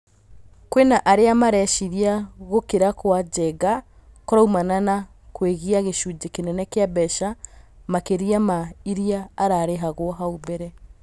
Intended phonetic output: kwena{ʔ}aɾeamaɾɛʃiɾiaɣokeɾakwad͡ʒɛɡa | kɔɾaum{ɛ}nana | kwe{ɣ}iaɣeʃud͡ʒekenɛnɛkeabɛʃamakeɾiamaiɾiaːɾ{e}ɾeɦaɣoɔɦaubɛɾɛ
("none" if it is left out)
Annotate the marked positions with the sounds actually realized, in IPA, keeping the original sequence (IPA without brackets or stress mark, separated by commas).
ʔ, a, ɣ, a